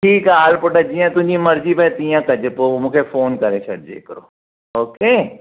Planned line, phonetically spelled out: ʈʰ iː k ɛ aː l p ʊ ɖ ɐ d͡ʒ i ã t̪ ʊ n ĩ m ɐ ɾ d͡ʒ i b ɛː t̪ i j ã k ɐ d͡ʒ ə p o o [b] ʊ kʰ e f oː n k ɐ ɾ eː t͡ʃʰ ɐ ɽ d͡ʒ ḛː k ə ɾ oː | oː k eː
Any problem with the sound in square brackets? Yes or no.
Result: yes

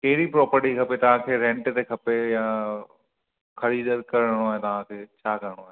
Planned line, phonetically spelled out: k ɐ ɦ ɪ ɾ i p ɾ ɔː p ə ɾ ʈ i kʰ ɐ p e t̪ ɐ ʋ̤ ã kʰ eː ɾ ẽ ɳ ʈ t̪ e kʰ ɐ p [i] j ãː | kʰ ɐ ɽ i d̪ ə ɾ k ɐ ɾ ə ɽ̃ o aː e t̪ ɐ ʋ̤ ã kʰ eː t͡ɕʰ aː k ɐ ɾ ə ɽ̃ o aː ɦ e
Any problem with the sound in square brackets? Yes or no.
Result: yes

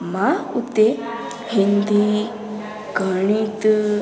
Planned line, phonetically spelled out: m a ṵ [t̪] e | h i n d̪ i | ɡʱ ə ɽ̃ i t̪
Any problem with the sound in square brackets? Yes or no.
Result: no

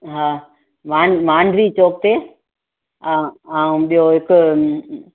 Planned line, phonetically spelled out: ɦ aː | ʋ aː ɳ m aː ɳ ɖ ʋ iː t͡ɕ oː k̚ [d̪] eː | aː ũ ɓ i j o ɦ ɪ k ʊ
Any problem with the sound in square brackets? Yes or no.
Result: yes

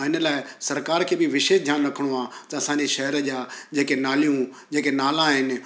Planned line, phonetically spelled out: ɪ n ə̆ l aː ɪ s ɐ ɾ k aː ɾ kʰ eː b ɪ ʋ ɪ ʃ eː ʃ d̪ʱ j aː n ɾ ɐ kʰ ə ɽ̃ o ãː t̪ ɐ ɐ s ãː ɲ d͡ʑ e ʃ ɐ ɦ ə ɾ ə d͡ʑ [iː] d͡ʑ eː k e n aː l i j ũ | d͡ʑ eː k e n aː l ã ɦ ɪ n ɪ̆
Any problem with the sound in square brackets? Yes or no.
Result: yes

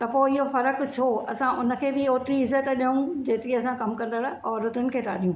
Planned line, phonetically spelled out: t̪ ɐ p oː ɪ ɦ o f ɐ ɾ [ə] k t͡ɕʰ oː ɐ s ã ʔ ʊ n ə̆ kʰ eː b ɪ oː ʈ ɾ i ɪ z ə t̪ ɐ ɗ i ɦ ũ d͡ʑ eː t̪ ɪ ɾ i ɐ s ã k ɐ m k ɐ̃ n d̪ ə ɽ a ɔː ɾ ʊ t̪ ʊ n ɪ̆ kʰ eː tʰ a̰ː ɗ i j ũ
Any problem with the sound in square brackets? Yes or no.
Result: no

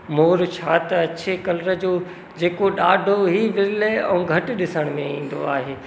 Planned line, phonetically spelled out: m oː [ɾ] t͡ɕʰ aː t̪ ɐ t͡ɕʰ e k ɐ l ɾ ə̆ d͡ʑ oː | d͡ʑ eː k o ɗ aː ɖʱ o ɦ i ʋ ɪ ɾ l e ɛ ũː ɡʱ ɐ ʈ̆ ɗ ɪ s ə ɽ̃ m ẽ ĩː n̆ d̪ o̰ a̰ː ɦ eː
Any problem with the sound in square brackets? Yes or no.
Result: no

